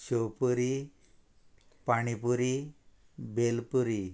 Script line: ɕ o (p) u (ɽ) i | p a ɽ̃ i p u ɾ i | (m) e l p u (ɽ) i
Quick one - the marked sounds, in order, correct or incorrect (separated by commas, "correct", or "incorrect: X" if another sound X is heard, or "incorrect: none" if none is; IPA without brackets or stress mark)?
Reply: correct, incorrect: ɾ, incorrect: b, incorrect: ɾ